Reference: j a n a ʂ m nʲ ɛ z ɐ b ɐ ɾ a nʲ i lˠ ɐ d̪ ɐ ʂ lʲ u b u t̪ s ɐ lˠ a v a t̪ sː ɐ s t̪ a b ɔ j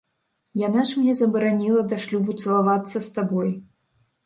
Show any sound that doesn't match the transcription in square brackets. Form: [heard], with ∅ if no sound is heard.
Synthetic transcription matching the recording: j a n a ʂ m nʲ ɛ z ɐ b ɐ ɾ a nʲ i lˠ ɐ d̪ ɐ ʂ lʲ u b u t̪ s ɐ lˠ a v a t̪ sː ɐ s t̪ a b ɔ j